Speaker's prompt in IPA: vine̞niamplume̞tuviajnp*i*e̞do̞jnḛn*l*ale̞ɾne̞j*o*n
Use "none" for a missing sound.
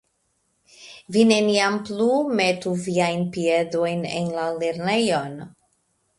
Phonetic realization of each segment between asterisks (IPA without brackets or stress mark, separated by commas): i, l, o